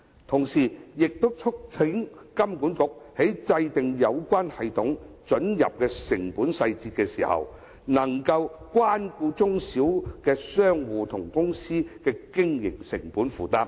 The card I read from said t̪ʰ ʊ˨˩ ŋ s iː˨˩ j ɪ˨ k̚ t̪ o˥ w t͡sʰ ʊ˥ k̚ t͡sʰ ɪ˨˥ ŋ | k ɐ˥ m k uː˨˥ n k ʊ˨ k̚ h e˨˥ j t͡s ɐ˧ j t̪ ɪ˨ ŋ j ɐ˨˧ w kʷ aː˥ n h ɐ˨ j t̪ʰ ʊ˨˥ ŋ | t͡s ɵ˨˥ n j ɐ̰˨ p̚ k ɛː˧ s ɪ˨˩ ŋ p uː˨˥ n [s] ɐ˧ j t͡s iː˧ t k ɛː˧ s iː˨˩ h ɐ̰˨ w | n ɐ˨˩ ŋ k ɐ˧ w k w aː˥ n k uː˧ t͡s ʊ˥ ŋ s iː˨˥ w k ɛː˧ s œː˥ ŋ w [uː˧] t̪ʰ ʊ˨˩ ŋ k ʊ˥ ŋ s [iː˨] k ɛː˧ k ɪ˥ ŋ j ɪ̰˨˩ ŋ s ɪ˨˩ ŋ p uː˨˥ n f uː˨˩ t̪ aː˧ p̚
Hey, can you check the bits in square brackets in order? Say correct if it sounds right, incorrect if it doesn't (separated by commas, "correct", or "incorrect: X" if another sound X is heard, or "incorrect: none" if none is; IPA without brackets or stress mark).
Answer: correct, correct, incorrect: iː˥